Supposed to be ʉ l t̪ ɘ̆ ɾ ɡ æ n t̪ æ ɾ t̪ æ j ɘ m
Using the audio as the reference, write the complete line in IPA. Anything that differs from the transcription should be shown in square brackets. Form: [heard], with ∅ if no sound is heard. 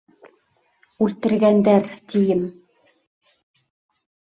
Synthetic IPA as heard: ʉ l t̪ ɘ̆ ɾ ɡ æ n [d̪] æ ɾ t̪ [i] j ɘ m

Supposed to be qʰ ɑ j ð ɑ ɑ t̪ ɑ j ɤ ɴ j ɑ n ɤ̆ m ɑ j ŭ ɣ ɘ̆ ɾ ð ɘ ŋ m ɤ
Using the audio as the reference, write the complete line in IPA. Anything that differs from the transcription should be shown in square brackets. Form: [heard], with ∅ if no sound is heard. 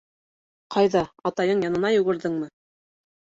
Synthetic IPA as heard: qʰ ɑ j ð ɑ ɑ t̪ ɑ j ɤ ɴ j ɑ n ɤ̆ [n] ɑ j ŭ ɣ ɘ̆ ɾ ð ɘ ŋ m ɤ

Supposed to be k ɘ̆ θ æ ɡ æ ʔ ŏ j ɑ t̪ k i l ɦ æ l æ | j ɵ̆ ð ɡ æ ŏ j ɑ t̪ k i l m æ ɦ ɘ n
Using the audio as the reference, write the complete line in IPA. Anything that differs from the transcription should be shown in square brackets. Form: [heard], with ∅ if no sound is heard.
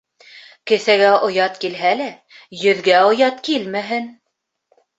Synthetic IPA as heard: k ɘ̆ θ æ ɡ æ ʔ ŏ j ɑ t̪ k i l ɦ æ l æ | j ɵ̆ ð ɡ æ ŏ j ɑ t̪ k i l m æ ɦ ɘ n

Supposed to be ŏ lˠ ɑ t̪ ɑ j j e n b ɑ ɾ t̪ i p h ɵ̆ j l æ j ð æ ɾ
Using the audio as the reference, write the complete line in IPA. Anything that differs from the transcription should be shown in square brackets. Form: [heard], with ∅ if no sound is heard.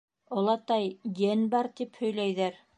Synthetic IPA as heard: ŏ lˠ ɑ t̪ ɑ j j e n b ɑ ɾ t̪ i p h ɵ̆ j l æ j ð æ ɾ

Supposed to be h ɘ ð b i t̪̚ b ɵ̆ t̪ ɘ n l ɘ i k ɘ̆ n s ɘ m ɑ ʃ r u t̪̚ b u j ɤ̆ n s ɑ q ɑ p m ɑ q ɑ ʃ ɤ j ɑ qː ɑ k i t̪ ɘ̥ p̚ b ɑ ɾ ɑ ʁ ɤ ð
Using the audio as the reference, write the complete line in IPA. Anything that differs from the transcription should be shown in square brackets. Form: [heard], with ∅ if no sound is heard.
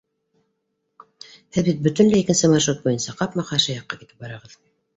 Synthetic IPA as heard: h ɘ ð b i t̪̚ b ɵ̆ t̪ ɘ n l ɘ i k ɘ̆ n s ɘ m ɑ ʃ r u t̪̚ b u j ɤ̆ n s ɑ q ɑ p m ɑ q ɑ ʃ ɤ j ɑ qː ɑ k i t̪ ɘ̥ p̚ b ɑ ɾ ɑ ʁ ɤ ð

